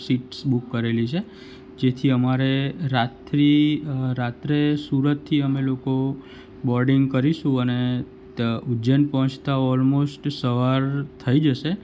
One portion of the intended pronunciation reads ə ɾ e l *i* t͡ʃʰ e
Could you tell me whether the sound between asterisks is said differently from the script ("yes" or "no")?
no